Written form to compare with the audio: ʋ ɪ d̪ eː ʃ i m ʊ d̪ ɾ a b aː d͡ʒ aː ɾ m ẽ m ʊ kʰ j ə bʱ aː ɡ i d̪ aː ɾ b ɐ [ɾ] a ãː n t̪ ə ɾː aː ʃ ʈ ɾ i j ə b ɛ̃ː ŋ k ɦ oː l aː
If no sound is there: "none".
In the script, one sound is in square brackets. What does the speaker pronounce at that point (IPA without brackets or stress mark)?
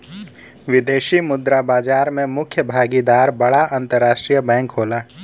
ɽ